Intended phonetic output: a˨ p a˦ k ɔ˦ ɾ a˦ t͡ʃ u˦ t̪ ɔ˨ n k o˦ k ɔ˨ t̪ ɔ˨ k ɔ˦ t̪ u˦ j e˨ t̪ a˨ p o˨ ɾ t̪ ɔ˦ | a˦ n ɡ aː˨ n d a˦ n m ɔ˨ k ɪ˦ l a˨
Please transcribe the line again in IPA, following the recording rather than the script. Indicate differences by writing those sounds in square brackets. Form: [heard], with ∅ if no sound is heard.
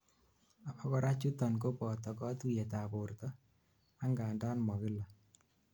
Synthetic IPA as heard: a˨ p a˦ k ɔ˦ ɾ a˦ t͡ʃ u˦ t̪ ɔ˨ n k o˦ [p] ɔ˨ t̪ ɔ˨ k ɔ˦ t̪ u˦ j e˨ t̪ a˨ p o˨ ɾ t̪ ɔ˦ | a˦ [ŋ] ɡ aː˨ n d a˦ n m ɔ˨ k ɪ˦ l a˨